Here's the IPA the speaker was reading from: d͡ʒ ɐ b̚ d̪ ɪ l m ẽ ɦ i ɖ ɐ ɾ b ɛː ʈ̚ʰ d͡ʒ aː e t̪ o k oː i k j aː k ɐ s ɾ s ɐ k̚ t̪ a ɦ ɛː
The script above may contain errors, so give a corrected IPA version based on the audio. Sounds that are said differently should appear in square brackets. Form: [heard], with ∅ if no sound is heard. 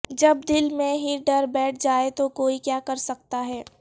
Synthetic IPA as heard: d͡ʒ ɐ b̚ d̪ ɪ l m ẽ ɦ i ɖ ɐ ɾ b ɛː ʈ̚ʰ d͡ʒ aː e t̪ o k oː i k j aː k ɐ [∅] ɾ s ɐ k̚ t̪ a ɦ ɛː